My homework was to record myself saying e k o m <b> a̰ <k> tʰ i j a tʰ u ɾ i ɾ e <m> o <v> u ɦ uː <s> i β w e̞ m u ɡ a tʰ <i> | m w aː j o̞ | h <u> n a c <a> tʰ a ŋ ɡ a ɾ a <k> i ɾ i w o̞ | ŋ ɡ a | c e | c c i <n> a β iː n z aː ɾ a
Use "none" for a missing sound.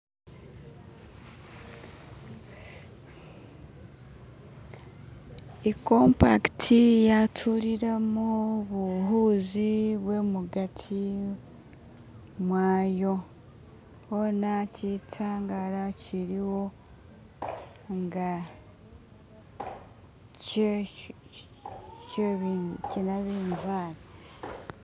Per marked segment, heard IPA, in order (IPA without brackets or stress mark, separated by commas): p, k, m, β, z, i, o, i, c, n